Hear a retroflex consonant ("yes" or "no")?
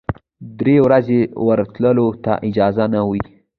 no